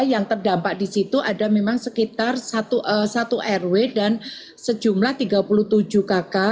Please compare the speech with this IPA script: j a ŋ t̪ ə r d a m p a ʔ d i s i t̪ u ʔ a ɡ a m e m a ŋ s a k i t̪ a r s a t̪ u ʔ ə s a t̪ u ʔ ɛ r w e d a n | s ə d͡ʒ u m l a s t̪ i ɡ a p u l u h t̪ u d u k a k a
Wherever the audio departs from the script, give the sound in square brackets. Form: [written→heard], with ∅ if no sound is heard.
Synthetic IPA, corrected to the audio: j a ŋ t̪ ə r d a m p a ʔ d i s i t̪ u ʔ a [ɡ→d] a m e m a ŋ s [a→ə] k i t̪ a r s a t̪ u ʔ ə s a t̪ u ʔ ɛ r w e d a n | s ə d͡ʒ u m l a [s→h] t̪ i ɡ a p u l u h t̪ u [d→d͡ʒ] u k a k a